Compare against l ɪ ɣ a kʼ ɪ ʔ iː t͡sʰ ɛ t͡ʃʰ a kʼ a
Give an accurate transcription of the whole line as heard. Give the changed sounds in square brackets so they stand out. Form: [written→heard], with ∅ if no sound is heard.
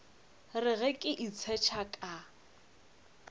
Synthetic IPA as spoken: [l→r] ɪ ɣ [a→ɛ] kʼ ɪ ʔ [iː→i] t͡sʰ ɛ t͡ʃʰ a kʼ a